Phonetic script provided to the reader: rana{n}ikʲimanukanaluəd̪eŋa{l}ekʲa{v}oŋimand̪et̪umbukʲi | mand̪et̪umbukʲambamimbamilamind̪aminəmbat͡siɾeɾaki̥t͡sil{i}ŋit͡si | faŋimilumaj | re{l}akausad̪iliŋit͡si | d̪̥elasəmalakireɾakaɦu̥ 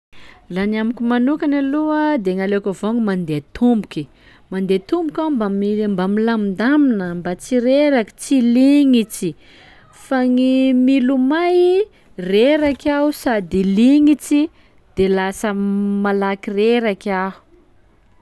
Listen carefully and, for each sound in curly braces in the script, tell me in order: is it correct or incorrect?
incorrect: m, correct, correct, correct, incorrect: ɾ

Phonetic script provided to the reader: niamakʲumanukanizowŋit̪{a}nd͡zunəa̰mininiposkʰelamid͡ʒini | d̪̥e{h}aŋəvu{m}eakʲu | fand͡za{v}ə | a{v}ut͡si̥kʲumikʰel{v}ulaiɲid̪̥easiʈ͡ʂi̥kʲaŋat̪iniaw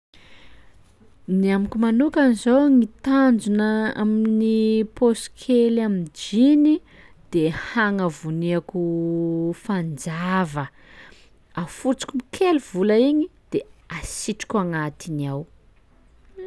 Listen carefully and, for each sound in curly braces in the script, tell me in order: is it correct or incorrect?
correct, correct, incorrect: n, correct, incorrect: f, correct

